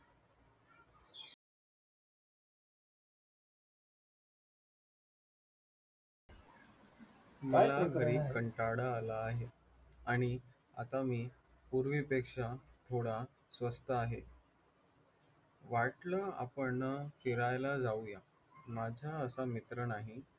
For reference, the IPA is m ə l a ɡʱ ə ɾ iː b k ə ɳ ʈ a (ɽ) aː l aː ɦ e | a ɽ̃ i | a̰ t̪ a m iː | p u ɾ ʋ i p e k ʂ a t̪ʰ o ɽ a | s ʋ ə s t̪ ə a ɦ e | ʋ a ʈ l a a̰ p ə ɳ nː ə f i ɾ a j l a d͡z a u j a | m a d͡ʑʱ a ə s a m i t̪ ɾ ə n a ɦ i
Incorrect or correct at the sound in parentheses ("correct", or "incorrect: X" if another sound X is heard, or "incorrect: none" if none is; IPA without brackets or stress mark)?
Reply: correct